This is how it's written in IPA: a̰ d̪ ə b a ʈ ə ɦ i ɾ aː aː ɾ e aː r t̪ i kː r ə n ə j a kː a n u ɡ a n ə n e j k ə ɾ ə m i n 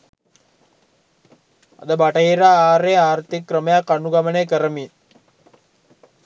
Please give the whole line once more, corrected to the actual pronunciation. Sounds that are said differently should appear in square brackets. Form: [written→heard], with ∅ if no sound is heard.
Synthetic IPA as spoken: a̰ d̪ ə b a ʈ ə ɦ i ɾ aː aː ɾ e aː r t̪ i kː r ə [n→m] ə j a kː a n u ɡ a [n→m] ə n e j k ə ɾ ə m i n

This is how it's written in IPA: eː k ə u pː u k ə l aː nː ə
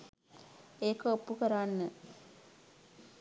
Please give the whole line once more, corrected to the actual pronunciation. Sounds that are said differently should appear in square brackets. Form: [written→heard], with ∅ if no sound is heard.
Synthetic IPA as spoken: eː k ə [u→o] pː u k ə [l→ɾ] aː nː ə

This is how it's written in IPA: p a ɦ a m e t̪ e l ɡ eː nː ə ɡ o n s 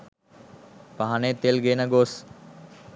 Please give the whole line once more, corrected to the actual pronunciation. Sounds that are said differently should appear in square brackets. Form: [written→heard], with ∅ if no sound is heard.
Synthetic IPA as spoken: p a ɦ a [m→n] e t̪ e l ɡ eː [nː→n] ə ɡ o [n→∅] s

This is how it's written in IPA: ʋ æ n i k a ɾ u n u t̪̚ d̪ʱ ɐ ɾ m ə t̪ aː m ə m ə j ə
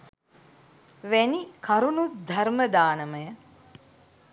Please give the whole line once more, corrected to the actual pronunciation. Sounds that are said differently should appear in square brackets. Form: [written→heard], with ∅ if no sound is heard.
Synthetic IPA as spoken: ʋ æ n i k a ɾ u n u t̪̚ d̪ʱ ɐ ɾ m ə [t̪→d̪] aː [m→n] ə m ə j ə

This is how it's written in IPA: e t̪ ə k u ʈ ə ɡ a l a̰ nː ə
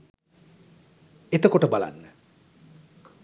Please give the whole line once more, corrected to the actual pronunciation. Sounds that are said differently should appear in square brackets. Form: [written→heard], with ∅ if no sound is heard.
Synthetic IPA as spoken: e t̪ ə k [u→o] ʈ ə [ɡ→b] a l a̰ nː ə

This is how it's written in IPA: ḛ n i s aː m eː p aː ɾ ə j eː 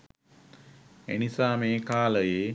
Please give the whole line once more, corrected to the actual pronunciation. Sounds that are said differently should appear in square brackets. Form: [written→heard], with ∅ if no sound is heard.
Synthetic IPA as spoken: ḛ n i s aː m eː [p→k] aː [ɾ→l] ə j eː

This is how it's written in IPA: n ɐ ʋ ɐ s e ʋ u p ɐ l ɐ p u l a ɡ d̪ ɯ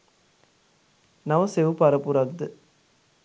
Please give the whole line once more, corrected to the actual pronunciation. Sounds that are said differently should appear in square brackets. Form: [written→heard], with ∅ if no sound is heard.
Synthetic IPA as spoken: n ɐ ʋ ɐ s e ʋ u p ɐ [l→ɾ] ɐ p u [l→ɾ] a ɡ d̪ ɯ

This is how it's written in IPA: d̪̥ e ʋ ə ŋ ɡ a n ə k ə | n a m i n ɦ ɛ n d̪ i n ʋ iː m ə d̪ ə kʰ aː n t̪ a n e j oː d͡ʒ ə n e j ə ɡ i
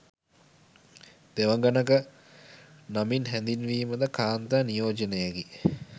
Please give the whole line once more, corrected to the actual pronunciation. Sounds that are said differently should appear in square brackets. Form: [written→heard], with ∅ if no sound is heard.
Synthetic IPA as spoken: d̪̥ e ʋ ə ŋ ɡ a n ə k ə | n a m i n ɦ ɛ n d̪ i n ʋ iː m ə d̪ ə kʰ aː n t̪ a n [e→i] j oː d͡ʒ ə n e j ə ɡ i

